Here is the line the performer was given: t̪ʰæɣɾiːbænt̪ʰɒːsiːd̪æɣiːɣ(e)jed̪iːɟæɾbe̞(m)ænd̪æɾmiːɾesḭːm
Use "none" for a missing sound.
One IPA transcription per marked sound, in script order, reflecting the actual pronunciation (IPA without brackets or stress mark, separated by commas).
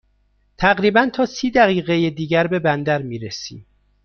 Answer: e, b